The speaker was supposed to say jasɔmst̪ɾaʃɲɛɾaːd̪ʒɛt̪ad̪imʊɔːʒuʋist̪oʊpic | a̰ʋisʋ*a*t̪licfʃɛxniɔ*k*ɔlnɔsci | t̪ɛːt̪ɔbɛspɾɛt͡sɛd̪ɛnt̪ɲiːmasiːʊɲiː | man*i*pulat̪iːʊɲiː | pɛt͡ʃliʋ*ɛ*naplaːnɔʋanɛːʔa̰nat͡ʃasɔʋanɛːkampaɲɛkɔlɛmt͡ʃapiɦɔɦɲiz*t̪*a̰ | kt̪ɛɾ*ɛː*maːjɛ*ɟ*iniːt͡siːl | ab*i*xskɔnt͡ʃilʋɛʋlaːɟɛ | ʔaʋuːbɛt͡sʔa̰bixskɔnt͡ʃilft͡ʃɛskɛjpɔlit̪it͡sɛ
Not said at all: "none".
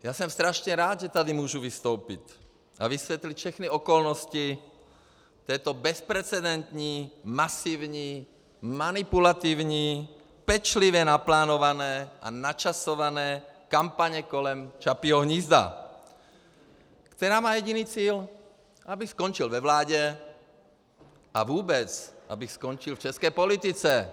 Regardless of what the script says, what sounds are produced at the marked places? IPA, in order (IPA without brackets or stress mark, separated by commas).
ɛ, k, i, ɛ, d̪, aː, ɟ, i